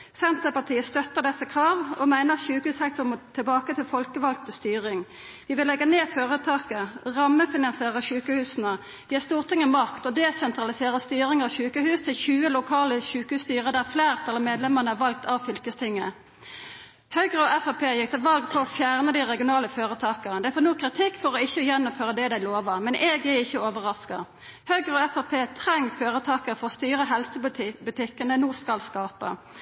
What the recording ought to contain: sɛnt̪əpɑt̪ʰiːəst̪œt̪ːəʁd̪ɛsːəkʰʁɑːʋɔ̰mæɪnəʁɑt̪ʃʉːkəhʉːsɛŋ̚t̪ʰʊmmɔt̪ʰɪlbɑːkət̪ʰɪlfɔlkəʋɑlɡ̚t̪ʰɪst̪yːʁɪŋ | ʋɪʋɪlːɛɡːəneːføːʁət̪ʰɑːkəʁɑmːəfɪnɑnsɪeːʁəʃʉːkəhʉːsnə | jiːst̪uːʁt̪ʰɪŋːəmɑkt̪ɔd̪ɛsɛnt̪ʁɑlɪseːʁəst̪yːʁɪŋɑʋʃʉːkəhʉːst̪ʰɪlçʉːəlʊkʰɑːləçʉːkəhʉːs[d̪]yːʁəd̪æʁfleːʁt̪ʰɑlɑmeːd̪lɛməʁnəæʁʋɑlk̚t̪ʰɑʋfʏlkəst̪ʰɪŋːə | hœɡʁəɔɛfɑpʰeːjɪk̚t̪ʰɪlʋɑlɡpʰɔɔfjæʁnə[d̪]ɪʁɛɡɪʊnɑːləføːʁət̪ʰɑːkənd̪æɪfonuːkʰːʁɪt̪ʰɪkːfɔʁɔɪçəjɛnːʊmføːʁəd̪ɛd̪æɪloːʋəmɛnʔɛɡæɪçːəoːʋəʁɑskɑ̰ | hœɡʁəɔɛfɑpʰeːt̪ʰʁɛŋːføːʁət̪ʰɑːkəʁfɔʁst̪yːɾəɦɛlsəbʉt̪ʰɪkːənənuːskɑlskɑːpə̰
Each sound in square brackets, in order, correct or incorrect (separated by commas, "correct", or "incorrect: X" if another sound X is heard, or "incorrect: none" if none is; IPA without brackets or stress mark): incorrect: t̪, correct